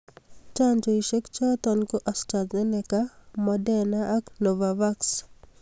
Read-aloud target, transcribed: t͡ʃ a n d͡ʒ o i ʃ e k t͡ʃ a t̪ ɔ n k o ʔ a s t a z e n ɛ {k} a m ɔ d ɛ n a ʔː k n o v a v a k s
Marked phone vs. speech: correct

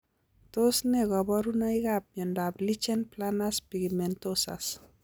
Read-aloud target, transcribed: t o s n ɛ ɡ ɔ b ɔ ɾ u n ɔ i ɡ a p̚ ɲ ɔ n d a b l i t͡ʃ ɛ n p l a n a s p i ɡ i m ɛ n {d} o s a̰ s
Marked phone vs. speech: incorrect: t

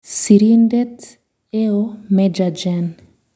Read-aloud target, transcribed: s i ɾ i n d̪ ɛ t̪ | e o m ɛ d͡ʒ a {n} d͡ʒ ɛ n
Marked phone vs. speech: incorrect: none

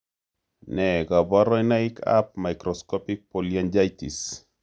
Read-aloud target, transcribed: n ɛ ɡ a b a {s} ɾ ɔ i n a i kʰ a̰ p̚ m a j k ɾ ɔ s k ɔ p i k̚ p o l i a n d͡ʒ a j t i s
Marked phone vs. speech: incorrect: none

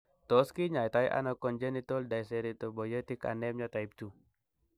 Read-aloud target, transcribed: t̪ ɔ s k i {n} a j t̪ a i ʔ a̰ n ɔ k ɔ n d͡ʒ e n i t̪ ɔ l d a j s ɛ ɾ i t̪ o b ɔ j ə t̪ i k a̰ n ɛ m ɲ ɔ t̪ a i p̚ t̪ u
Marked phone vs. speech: incorrect: ɲ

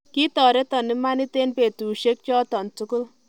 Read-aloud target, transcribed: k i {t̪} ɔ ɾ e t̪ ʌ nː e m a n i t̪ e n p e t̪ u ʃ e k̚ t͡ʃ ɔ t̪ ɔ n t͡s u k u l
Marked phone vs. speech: correct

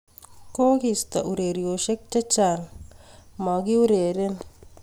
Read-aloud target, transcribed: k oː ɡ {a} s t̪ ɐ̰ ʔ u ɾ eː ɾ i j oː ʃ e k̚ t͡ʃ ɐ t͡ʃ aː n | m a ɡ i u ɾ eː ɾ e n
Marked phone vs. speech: incorrect: i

